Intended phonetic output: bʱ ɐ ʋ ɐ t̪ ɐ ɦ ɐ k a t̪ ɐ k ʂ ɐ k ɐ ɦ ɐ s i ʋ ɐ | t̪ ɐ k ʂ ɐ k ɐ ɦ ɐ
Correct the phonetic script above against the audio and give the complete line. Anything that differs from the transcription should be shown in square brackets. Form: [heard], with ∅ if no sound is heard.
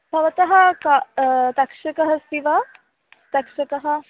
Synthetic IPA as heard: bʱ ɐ ʋ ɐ t̪ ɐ ɦ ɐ k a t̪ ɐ k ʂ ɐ k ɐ ɦ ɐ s i ʋ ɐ | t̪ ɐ k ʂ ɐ k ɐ ɦ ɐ